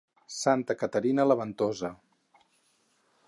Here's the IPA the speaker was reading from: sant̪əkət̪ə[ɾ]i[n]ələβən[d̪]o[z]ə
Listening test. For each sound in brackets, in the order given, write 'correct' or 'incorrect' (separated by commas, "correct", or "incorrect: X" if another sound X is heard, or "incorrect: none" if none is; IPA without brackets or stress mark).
correct, correct, incorrect: t̪, correct